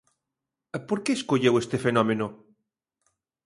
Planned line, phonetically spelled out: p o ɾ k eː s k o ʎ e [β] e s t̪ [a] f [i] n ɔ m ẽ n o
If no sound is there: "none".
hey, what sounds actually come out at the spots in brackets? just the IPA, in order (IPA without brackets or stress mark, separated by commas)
w, e, e